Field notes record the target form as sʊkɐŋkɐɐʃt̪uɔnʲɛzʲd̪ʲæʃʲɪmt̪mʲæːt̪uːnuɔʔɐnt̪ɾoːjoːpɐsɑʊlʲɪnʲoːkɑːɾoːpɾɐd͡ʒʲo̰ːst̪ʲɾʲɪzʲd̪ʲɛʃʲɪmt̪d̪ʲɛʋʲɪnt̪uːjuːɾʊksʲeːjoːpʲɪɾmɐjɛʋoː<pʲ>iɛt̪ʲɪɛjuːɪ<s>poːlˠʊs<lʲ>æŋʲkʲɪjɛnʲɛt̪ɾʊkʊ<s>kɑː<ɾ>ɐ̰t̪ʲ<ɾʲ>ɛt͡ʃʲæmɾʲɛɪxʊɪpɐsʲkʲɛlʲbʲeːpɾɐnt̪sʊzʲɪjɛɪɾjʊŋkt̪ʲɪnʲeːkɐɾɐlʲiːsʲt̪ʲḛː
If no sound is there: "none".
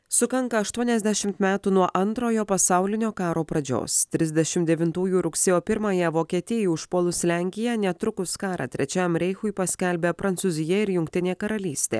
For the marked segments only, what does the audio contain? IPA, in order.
kʲ, ʃ, lʲ, s, ɾ, ɾʲ

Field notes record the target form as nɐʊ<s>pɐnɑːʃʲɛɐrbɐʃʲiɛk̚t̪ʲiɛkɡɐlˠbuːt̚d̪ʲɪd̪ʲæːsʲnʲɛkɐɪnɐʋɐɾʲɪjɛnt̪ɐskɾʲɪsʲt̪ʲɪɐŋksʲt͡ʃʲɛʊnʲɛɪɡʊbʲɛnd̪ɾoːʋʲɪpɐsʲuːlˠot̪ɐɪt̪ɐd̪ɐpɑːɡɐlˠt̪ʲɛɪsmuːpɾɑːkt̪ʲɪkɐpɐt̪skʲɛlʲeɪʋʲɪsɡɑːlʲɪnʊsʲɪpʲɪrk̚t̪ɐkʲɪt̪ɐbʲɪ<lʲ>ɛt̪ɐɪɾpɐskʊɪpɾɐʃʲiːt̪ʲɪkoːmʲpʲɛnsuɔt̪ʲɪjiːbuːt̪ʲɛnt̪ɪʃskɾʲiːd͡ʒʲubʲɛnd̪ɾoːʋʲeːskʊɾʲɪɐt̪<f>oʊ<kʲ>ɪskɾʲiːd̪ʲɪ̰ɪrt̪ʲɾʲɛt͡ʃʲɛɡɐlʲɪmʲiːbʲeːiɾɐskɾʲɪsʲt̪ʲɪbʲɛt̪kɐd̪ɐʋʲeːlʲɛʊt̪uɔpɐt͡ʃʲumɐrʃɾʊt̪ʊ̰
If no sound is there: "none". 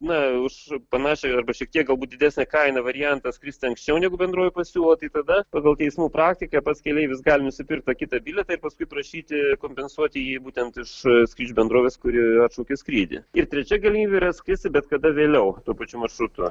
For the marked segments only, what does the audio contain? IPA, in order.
ʃ, lʲ, ʃ, kʲ

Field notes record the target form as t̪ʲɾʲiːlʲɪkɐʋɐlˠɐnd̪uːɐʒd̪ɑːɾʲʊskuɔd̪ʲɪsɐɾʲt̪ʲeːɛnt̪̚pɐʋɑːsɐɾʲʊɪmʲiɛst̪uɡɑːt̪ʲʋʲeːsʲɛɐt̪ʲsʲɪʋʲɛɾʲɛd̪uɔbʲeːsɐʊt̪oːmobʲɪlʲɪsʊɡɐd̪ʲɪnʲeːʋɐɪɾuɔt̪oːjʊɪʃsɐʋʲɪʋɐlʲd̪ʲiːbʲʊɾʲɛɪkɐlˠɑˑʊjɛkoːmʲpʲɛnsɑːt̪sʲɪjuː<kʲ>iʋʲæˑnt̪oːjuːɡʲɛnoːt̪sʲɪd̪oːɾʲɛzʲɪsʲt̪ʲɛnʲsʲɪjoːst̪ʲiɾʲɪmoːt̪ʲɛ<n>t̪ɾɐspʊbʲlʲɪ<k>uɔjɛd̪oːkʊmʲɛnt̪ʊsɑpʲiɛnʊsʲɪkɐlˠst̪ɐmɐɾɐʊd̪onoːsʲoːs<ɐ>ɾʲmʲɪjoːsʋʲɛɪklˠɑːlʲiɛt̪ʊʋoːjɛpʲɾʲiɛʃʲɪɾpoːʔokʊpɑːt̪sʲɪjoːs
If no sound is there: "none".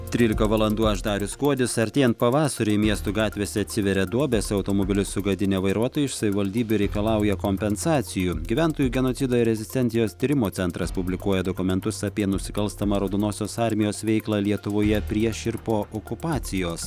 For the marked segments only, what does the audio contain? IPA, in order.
ɡʲ, n, k, ɑ

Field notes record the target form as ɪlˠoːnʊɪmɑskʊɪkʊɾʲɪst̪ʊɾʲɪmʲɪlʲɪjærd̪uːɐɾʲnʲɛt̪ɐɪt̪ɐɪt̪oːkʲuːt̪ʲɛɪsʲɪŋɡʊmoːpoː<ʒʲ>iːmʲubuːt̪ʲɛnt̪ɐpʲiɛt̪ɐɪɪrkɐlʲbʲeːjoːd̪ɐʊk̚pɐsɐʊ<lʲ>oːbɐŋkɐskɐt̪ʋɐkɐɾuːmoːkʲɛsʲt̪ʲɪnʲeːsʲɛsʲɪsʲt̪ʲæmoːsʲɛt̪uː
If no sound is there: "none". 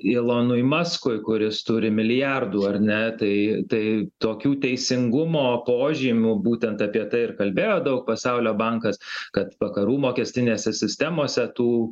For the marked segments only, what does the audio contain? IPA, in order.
ʒʲ, lʲ

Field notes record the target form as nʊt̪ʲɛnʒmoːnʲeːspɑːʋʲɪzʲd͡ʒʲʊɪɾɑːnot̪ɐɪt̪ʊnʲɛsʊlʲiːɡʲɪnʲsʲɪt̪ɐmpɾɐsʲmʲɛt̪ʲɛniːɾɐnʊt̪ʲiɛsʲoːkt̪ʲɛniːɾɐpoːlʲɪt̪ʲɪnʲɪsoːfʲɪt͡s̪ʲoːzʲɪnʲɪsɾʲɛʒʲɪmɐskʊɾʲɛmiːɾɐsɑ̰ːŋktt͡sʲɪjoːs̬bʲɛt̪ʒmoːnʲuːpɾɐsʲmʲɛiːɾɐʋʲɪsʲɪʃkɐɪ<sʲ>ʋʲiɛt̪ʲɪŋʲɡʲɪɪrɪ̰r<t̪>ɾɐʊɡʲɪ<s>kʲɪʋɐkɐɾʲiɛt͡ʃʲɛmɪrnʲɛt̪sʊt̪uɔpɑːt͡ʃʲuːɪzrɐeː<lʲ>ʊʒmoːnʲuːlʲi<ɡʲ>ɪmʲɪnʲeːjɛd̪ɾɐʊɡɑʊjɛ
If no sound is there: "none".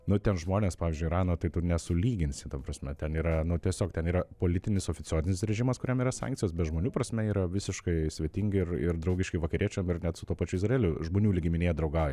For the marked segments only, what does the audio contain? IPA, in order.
sʲ, d̪, ʃ, lʲ, ɡʲ

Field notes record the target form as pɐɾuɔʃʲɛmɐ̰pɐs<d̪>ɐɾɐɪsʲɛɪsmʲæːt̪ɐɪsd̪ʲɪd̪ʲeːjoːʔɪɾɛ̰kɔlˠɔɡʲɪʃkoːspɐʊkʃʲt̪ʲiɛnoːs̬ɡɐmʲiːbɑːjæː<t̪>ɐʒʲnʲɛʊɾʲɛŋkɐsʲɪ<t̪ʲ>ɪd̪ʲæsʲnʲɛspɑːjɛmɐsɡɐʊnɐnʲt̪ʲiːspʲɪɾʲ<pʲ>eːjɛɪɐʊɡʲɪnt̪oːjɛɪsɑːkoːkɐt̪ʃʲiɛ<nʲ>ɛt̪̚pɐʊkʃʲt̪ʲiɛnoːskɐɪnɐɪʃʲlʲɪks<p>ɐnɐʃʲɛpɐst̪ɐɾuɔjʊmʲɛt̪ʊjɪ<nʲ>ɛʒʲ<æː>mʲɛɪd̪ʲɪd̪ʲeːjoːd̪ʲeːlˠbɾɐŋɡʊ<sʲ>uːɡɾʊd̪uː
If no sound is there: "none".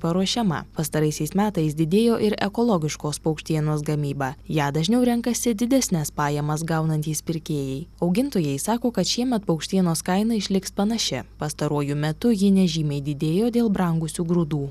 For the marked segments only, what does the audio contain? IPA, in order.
t̪, d̪, d̪ʲ, kʲ, mʲ, p, nʲ, iː, sʲ

